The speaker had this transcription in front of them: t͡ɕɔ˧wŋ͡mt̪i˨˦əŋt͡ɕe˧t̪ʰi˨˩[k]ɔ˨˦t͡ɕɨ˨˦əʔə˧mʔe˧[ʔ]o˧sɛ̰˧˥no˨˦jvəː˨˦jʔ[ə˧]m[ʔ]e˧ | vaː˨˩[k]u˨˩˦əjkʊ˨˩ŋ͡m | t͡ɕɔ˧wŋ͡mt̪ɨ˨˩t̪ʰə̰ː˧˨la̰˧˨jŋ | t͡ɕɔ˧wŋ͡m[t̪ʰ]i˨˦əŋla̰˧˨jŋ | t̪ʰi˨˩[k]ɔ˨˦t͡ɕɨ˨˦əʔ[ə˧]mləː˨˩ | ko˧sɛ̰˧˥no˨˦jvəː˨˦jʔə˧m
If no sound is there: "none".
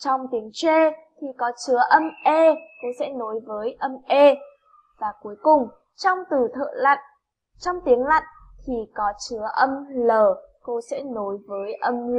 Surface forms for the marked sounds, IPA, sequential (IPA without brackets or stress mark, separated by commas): k, k, ə˧, ʔ, k, t̪, k, ə˧